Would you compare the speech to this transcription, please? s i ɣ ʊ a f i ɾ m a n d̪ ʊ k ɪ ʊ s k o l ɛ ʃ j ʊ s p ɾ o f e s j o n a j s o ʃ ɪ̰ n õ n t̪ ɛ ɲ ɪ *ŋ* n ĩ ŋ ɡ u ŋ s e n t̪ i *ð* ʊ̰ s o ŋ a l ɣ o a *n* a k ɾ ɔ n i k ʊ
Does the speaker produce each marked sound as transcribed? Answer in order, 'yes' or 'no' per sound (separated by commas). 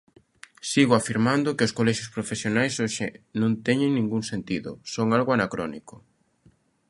yes, yes, yes